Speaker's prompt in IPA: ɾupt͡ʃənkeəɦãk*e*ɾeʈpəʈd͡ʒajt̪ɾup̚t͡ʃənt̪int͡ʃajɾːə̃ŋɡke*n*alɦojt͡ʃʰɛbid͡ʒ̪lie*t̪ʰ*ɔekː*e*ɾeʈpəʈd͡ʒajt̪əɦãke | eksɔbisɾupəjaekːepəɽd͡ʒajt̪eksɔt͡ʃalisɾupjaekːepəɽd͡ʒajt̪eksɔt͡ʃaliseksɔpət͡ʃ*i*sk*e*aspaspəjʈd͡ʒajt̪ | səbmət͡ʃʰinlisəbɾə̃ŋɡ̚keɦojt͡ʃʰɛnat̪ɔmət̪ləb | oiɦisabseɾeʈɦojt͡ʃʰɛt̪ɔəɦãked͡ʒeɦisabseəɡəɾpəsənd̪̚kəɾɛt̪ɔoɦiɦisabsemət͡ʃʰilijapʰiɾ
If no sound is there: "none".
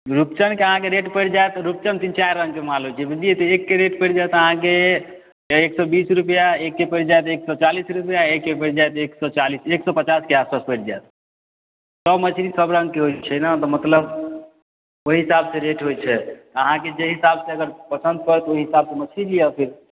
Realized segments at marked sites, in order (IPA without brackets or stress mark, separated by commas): e, m, t̪, e, a, e